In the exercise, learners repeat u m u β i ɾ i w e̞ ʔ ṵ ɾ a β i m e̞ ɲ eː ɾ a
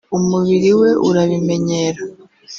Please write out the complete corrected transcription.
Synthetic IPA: u m u β i ɾ i w e̞ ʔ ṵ ɾ a β i m e̞ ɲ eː ɾ a